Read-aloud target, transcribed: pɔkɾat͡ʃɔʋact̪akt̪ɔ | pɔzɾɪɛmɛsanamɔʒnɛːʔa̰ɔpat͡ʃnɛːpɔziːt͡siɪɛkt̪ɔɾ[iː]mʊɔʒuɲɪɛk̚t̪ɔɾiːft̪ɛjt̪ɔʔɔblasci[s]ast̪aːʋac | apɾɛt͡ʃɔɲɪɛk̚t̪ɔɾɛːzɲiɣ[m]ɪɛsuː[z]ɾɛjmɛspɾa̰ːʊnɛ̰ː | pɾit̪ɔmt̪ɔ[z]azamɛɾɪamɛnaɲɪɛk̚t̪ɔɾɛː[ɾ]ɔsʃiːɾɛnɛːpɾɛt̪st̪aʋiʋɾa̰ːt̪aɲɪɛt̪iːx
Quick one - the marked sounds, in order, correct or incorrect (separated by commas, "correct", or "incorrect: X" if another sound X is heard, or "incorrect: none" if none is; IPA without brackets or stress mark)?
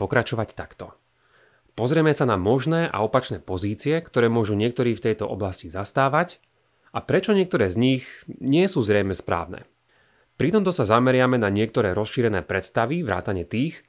incorrect: ɛː, incorrect: z, incorrect: ɲ, correct, incorrect: s, correct